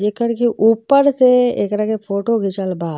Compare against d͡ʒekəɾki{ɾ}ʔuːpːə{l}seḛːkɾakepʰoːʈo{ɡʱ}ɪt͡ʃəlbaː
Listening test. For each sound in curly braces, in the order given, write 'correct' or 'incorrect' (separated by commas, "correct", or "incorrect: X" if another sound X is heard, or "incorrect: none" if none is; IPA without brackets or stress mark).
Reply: incorrect: none, incorrect: ɾ, correct